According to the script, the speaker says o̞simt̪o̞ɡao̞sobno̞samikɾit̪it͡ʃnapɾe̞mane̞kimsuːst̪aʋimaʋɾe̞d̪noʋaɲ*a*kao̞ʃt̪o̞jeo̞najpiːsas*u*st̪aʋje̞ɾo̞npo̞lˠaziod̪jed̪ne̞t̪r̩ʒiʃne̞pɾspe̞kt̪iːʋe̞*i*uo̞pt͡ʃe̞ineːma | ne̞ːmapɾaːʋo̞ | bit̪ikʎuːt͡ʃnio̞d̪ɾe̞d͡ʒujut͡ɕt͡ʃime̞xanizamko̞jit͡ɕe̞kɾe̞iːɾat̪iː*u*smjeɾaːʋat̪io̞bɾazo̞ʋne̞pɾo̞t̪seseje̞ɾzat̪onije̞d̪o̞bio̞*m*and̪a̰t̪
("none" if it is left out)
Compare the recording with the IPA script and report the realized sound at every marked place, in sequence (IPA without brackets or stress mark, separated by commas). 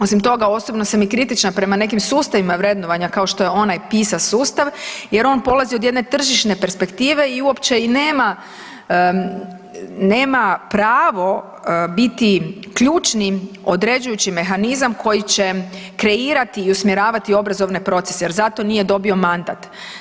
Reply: a, uː, i, u, m